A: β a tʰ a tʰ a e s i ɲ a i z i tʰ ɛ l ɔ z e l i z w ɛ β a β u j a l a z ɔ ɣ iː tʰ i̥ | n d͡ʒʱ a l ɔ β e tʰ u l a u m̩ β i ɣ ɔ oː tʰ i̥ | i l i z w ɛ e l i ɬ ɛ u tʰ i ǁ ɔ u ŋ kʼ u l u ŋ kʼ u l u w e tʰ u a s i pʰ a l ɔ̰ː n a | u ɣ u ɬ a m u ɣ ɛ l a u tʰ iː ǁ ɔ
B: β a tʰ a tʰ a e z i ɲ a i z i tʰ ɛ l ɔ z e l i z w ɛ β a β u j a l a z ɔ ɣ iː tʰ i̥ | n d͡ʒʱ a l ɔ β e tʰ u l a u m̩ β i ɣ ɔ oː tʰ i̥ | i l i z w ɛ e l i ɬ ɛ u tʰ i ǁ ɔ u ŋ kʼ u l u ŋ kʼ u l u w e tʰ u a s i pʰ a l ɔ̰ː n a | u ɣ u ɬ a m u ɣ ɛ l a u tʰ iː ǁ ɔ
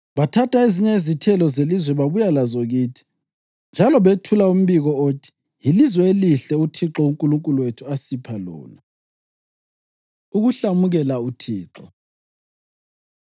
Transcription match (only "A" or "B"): B